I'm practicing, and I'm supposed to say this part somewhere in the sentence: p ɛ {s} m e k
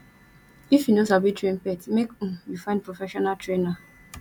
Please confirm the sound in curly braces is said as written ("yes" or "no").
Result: no